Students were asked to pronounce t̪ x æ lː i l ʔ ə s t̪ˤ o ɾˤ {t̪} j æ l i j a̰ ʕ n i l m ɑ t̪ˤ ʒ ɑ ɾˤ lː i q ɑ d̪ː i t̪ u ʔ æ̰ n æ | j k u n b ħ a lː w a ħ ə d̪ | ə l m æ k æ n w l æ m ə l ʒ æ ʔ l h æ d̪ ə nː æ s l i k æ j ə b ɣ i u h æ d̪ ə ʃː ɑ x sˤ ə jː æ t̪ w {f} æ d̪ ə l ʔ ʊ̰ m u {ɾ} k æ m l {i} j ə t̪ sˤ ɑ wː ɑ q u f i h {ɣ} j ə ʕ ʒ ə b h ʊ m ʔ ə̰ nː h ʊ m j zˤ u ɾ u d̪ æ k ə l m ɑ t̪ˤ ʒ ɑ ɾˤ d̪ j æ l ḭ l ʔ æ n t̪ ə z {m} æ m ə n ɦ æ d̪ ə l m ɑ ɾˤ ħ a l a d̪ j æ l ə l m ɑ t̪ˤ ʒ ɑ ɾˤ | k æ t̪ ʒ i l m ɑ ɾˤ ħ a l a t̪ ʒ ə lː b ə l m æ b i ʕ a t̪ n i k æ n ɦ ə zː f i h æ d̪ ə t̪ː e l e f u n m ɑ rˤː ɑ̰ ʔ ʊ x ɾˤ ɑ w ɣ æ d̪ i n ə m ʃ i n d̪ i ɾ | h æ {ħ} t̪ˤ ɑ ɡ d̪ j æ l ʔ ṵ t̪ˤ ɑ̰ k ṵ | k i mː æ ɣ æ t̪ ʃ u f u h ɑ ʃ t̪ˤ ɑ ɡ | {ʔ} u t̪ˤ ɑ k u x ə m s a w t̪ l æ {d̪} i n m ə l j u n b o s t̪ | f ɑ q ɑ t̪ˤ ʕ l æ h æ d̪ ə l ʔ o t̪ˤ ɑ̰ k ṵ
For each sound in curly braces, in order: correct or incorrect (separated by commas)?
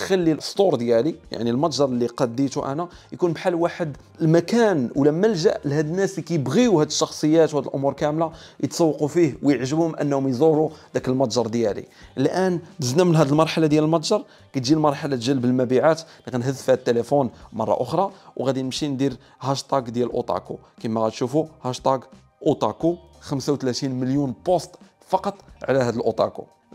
incorrect, incorrect, correct, incorrect, incorrect, incorrect, incorrect, correct, incorrect